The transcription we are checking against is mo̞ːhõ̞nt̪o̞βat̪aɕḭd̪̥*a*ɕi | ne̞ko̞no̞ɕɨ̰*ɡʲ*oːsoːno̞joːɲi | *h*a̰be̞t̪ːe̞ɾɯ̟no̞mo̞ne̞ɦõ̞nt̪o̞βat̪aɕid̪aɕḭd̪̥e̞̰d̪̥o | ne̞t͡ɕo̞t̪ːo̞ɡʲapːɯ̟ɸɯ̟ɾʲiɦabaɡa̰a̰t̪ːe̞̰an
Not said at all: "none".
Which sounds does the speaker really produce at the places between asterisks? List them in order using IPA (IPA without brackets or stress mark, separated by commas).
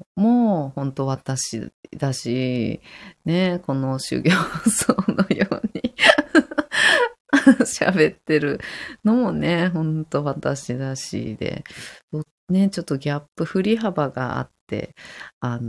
a, ɡʲ, ɕ